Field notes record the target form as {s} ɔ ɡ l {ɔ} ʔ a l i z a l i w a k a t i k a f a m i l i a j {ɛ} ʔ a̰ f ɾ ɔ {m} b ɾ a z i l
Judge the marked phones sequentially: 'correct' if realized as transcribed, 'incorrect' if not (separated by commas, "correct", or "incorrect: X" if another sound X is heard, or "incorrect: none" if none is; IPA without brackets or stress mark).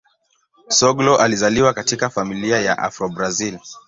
correct, correct, incorrect: a, incorrect: none